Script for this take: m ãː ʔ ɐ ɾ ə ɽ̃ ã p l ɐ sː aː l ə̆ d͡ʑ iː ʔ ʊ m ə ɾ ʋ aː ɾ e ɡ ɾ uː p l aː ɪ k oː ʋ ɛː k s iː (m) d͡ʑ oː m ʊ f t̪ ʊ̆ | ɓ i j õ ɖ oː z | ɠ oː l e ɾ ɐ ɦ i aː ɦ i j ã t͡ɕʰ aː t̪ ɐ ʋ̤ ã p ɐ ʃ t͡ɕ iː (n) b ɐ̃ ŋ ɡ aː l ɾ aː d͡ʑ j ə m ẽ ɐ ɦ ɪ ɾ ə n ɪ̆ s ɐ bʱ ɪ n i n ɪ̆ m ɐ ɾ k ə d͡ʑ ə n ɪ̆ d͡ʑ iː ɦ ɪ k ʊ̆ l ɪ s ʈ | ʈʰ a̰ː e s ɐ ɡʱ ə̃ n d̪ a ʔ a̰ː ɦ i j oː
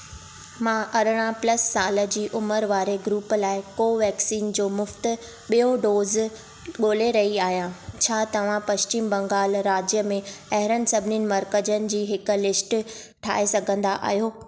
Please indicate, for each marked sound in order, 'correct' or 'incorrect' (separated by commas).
incorrect, incorrect